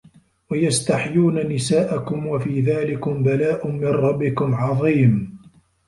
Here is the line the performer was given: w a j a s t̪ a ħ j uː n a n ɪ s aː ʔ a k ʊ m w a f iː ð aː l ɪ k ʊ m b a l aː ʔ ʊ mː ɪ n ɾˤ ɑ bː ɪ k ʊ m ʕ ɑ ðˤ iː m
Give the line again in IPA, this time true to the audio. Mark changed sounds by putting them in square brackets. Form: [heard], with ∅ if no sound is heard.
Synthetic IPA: w a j a s t̪ a ħ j uː n a n ɪ s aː ʔ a k ʊ m w a f iː ð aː l ɪ k ʊ m b a l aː ʔ ʊ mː ɪ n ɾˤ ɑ bː ɪ k ʊ m ʕ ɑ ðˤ iː m